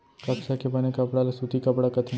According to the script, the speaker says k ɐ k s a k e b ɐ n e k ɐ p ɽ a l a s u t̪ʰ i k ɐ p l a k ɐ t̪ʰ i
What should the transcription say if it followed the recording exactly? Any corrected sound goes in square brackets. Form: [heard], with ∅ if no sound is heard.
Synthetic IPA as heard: k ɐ k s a k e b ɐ n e k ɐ p ɽ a l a s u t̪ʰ i k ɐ p [ɽ] a k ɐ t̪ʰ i